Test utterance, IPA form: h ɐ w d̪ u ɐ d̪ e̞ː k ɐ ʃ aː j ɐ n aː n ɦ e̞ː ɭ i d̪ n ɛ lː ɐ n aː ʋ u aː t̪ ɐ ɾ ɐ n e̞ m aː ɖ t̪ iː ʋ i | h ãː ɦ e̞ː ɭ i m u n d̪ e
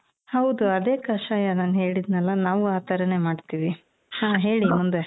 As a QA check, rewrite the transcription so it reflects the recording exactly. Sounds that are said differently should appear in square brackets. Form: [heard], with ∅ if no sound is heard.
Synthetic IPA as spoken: h ɐ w d̪ u ɐ d̪ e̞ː k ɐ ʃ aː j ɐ n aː n ɦ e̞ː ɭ i d̪ n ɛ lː ɐ n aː ʋ u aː t̪ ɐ ɾ ɐ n e̞ m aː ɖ t̪ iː ʋ i | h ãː ɦ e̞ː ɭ i m u n d̪ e